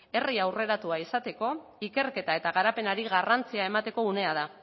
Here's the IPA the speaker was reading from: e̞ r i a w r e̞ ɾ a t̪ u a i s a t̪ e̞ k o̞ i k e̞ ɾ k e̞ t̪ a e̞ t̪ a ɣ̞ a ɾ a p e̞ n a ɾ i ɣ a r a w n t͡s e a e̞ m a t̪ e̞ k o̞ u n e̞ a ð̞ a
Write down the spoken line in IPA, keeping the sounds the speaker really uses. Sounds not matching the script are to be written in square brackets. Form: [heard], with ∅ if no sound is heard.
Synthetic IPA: e̞ r i a w r e̞ ɾ a t̪ u a i s a t̪ e̞ k o̞ i k e̞ ɾ k e̞ t̪ a e̞ t̪ a ɣ̞ a ɾ a p e̞ n a ɾ i ɣ a r a [∅] n t͡s [i] a e̞ m a t̪ e̞ k o̞ u n e̞ a ð̞ a